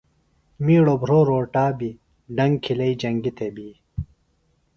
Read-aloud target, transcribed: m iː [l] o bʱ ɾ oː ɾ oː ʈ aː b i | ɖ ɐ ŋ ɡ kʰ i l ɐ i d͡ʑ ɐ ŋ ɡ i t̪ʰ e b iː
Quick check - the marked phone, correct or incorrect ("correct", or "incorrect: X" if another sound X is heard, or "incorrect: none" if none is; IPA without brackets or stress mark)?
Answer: incorrect: ɽ